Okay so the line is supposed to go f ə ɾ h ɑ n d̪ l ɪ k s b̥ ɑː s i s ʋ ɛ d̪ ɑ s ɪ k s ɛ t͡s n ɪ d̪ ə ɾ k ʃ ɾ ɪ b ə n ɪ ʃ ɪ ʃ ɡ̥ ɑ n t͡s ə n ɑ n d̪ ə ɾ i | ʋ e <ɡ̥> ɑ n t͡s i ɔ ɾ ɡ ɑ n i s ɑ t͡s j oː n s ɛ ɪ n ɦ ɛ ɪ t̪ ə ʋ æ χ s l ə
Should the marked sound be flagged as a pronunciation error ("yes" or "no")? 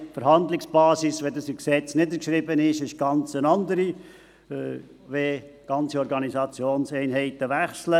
no